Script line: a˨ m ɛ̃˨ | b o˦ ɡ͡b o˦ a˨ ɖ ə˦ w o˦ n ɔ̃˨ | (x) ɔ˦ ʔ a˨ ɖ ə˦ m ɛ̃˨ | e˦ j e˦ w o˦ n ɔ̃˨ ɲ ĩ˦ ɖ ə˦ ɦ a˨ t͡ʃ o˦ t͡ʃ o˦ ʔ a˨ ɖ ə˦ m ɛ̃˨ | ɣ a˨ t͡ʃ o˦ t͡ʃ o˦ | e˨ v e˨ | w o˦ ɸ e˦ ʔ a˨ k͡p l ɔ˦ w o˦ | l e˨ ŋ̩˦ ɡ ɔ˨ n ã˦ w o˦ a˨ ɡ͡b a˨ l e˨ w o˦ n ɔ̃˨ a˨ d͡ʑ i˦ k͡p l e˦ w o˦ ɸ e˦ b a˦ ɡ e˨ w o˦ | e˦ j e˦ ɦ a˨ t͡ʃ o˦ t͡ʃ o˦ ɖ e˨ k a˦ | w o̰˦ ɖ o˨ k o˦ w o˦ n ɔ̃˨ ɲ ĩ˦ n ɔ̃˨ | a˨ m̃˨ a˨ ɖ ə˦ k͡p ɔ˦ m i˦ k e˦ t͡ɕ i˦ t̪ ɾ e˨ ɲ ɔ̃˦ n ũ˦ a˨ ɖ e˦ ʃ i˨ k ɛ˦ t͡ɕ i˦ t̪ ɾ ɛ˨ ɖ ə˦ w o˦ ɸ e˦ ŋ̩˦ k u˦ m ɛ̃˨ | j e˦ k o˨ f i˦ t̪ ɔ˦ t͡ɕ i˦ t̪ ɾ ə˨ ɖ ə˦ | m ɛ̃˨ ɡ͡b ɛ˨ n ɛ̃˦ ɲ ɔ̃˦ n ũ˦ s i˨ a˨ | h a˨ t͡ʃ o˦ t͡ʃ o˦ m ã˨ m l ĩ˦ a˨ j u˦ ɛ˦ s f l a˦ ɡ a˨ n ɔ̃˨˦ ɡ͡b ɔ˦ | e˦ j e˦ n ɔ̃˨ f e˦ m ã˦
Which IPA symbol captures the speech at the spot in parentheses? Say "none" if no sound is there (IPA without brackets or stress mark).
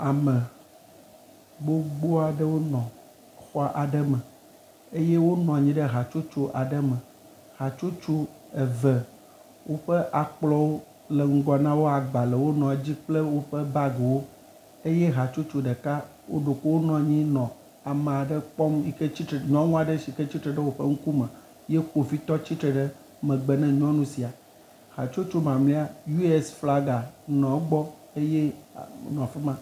x